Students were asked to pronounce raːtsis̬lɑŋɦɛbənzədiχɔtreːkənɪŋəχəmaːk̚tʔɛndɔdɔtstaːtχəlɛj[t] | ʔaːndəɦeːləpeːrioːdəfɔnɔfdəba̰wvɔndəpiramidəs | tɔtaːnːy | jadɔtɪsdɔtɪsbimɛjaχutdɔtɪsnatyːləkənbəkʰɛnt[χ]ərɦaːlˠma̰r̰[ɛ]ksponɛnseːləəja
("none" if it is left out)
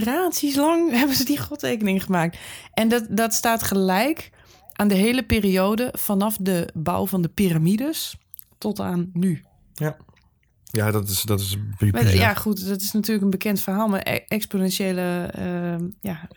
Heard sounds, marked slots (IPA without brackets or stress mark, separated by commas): k, f, ɛ